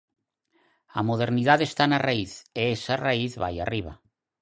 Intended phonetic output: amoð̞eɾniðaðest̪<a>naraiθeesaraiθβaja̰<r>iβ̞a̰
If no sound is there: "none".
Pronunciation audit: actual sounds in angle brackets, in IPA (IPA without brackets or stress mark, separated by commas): a, r